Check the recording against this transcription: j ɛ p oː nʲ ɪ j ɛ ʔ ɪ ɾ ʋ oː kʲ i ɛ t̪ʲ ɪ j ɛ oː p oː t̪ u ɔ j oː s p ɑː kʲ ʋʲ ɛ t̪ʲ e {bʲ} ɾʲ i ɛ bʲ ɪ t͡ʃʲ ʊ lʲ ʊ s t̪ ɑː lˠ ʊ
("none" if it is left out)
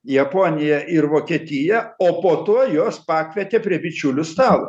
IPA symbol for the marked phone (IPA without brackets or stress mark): pʲ